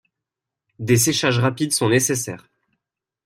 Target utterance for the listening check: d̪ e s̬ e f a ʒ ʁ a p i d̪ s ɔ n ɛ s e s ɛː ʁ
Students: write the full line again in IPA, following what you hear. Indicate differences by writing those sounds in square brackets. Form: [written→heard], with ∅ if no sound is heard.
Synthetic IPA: d̪ e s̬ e [f→ʃ] a ʒ ʁ a p i d̪ s [ɔ→ɔ̃] n [ɛ→e] s e s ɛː ʁ

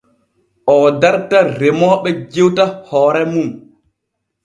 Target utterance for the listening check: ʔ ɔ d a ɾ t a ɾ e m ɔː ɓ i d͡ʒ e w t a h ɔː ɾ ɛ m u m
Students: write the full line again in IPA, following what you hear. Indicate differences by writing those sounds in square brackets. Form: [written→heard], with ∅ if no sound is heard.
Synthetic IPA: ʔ ɔ d a ɾ t a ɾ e m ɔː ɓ [i→ɛ] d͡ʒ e w t a h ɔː ɾ ɛ m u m

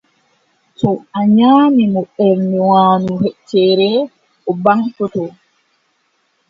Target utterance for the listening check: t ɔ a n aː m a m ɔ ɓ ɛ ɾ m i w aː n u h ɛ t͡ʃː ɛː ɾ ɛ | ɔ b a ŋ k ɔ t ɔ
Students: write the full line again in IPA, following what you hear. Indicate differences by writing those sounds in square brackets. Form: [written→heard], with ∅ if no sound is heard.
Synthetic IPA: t ɔ a [n→ɲ] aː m [a→i] m ɔ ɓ ɛ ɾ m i w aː n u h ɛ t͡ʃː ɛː ɾ ɛ | ɔ b a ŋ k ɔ t ɔ

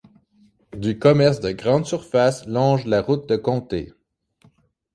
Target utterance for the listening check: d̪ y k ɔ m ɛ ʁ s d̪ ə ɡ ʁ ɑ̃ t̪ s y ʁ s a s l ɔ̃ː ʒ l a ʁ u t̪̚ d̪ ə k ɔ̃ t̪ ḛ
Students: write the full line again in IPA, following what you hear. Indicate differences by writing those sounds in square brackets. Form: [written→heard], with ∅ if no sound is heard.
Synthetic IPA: d̪ y k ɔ m ɛ ʁ s d̪ ə ɡ ʁ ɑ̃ [t̪→d̪] s y ʁ [s→f] a s l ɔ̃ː ʒ l a ʁ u t̪̚ d̪ ə k ɔ̃ t̪ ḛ

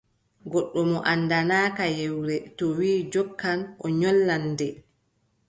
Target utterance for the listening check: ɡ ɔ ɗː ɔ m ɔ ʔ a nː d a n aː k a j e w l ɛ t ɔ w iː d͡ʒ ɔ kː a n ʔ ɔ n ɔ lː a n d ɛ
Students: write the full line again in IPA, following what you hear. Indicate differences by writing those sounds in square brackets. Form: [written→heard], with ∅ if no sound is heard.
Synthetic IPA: ɡ ɔ ɗː ɔ m ɔ ʔ a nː d a n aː k a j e w [l→ɾ] ɛ t ɔ w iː d͡ʒ ɔ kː a n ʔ ɔ [n→ɲ] ɔ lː a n d ɛ

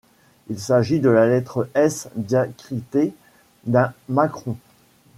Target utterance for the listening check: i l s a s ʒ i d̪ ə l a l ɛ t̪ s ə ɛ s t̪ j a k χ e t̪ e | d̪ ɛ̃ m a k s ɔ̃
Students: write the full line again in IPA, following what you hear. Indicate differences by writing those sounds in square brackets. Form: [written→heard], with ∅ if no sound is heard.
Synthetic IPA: i l s a [s→∅] ʒ i d̪ ə l a l ɛ t̪ [s→χ] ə ɛ s [t̪→d̪] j a k χ [e→i] t̪ e | d̪ ɛ̃ m a k [s→χ] ɔ̃

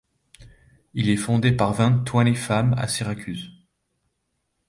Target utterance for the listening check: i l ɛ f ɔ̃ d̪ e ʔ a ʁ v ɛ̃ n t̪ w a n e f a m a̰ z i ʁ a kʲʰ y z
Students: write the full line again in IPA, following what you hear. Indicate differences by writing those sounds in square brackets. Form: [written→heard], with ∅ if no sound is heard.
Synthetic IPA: i l ɛ f ɔ̃ d̪ e [ʔ→p] a ʁ v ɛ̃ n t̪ w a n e f a m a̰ [z→s] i ʁ a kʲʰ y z

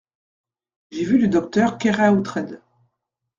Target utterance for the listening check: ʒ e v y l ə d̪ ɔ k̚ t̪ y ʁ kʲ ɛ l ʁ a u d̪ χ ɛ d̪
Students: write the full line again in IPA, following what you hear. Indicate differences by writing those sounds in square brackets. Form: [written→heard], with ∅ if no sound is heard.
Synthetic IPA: ʒ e v y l ə d̪ ɔ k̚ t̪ [y→œ] ʁ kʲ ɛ [l→∅] ʁ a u [d̪→t̪] χ ɛ d̪

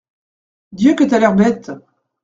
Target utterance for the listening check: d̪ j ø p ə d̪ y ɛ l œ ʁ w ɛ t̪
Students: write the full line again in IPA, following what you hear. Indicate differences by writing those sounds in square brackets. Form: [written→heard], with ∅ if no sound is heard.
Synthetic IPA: d̪ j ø [p→k] ə [d̪→t̪] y [ɛ→a] l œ ʁ [w→b] ɛ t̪

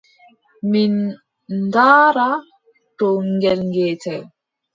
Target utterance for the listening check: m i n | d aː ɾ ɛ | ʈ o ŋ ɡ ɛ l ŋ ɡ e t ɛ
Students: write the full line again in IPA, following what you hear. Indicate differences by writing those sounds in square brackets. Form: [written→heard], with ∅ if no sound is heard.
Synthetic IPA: m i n | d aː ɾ [ɛ→a] | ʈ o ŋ ɡ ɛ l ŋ ɡ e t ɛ

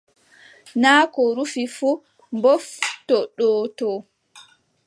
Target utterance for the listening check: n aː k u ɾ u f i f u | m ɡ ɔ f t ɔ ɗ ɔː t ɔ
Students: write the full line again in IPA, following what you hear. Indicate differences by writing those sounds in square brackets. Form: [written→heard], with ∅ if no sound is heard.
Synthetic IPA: n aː k [u→ɔ] ɾ u f i f u | m [ɡ→b] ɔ f t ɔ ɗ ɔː t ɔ

